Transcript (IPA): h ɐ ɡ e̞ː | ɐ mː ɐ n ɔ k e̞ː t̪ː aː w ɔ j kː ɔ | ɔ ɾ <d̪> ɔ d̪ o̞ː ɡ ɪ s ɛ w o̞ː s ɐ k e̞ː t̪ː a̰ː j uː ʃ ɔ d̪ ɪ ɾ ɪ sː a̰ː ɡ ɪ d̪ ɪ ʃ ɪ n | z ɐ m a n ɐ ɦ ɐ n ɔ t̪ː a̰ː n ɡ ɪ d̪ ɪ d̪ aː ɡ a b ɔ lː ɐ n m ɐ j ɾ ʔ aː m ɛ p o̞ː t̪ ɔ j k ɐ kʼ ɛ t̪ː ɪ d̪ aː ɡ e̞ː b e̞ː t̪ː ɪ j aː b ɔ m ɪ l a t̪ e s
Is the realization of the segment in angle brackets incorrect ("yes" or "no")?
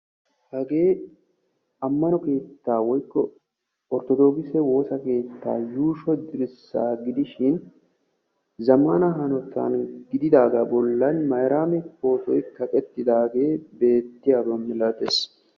yes